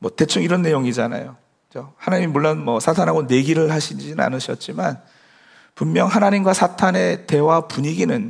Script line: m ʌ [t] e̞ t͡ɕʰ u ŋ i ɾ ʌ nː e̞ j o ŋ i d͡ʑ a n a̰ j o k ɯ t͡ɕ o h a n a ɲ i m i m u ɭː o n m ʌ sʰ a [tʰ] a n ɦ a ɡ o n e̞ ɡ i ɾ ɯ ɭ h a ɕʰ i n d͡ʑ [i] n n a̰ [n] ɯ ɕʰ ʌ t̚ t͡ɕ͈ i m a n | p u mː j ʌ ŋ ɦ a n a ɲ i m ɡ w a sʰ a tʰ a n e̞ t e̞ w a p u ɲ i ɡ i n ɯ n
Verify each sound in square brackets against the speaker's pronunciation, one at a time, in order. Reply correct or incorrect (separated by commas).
correct, correct, correct, correct